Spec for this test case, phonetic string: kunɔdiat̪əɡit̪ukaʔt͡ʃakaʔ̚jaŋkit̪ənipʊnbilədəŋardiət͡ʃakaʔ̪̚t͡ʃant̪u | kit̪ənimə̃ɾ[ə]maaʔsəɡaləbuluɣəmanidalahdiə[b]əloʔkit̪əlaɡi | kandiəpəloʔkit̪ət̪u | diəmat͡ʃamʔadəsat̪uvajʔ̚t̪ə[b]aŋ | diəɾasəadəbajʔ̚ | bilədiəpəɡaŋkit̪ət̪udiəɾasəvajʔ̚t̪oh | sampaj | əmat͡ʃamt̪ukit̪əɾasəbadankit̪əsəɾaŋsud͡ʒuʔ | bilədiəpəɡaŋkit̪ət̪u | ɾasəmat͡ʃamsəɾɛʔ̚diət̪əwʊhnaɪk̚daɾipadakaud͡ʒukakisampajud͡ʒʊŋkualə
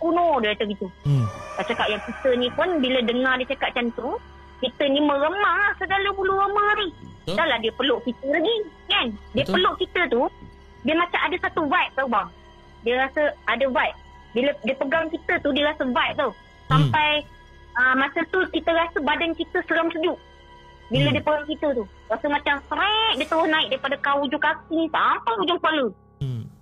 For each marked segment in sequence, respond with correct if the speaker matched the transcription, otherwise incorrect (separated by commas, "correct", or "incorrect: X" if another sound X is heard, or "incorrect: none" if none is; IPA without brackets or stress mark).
correct, incorrect: p, correct